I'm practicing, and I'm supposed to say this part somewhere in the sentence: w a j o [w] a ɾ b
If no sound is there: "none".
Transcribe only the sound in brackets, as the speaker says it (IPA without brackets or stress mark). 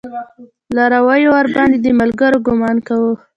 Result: w